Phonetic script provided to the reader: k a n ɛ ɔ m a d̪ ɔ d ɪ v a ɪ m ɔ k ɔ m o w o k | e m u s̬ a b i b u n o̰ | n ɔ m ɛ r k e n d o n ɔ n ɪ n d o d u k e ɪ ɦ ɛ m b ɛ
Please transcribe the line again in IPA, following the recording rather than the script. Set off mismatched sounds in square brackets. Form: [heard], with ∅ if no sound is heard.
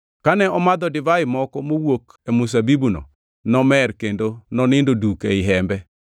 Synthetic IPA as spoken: k a n ɛ ɔ m a d̪ ɔ d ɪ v a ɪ m ɔ k ɔ m o w o k | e m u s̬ a b i b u n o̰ | n ɔ m ɛ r k e n d o n ɔ n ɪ n d o d u k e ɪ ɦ ɛ m b ɛ